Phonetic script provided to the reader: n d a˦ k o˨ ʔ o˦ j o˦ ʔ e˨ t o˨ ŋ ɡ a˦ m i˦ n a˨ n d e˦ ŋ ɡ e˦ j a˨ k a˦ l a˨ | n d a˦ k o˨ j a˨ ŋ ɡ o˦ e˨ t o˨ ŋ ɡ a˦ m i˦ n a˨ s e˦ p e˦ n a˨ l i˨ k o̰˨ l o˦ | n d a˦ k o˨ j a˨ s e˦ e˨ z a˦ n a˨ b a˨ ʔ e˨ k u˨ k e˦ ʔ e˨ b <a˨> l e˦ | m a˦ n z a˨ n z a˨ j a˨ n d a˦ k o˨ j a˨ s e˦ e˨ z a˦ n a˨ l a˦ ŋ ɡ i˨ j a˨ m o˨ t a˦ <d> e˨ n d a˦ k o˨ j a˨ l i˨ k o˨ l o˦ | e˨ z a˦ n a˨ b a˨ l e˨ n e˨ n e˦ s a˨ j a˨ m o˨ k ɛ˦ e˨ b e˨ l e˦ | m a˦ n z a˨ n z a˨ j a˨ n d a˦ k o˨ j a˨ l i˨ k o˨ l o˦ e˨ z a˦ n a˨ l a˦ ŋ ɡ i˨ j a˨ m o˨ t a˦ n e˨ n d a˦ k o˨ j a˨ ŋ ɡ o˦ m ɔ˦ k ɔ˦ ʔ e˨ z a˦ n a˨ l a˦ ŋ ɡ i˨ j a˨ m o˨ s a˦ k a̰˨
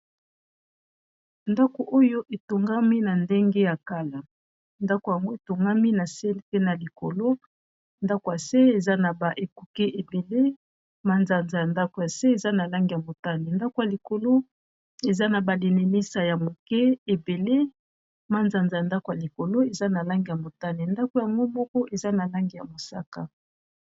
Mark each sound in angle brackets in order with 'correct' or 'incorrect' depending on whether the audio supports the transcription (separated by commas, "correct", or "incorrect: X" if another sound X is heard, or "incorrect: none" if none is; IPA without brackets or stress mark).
incorrect: e˨, incorrect: n